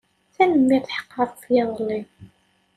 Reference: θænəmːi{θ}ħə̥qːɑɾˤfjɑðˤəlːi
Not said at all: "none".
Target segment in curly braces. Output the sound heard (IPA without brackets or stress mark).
θ